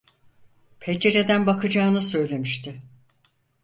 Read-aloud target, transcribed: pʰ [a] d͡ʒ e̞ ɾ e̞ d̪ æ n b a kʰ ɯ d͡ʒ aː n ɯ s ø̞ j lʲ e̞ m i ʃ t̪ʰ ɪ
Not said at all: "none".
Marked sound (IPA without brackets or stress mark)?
e